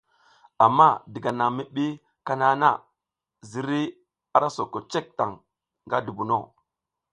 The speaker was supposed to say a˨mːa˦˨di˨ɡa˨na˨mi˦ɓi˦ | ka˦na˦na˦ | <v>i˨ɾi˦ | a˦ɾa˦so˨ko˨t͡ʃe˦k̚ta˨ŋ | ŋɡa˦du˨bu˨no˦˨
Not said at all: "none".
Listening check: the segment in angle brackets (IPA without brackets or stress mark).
z